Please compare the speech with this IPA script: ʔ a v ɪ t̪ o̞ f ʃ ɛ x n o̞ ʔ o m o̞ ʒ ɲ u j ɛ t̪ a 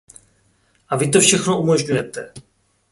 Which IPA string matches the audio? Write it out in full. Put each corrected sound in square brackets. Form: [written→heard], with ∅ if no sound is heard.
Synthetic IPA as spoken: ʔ a v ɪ t̪ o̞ f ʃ ɛ x n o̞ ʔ [o→u] m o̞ ʒ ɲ u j ɛ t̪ [a→ɛ]